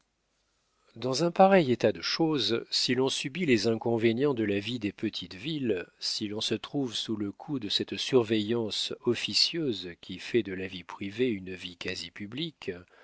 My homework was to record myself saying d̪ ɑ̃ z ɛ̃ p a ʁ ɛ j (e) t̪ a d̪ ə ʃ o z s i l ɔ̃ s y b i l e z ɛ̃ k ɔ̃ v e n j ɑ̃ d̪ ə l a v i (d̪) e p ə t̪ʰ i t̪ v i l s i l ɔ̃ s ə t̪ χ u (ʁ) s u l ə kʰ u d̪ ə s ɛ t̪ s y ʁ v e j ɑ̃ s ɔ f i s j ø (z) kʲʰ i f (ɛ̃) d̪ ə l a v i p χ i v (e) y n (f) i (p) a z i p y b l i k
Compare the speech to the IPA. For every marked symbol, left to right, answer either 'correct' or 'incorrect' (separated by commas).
correct, correct, incorrect, correct, incorrect, correct, incorrect, incorrect